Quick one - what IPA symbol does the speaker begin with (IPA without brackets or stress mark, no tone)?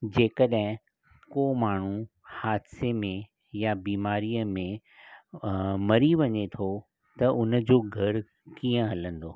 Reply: d͡ʑ